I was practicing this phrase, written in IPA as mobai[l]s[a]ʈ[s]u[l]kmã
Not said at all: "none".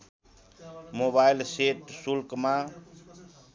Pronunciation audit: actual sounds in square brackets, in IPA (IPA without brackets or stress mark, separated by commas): l, e, s, l